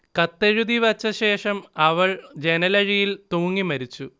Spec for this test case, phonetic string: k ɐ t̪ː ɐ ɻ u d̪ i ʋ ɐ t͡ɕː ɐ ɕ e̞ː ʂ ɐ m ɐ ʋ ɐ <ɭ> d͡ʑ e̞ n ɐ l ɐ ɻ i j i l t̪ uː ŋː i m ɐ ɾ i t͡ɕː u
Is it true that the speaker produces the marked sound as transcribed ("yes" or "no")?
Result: yes